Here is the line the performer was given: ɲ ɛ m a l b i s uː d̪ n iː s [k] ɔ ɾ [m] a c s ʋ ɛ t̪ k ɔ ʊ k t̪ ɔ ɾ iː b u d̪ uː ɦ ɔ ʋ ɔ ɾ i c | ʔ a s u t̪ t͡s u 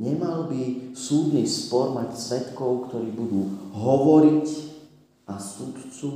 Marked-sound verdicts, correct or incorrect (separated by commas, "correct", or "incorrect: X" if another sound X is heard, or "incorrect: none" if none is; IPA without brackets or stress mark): incorrect: p, correct